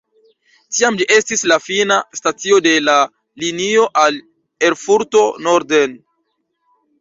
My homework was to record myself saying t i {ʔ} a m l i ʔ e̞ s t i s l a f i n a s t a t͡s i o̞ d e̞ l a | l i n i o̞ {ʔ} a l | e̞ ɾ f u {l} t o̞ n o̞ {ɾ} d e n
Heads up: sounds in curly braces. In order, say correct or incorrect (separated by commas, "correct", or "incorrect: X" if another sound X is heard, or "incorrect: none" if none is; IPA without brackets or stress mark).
incorrect: none, correct, incorrect: ɾ, correct